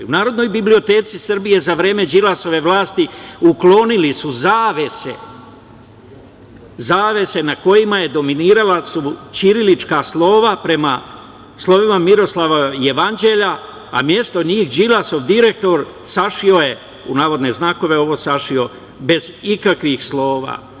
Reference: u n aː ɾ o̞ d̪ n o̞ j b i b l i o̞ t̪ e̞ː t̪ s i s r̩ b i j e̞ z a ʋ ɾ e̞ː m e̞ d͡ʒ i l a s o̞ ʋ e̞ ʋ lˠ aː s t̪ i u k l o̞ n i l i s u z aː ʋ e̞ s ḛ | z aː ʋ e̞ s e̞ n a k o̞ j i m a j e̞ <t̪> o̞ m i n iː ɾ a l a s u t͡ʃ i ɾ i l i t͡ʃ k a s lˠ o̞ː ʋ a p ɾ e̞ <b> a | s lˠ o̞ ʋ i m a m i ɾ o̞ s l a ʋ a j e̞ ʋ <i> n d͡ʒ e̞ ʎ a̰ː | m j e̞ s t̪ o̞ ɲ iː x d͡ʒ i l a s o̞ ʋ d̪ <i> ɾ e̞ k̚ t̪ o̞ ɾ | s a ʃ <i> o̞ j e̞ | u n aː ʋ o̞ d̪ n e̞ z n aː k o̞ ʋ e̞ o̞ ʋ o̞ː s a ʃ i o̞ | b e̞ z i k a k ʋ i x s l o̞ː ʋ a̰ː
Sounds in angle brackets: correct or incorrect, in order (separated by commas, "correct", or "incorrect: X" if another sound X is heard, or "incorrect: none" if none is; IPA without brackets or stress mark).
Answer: incorrect: d̪, incorrect: m, incorrect: a, correct, correct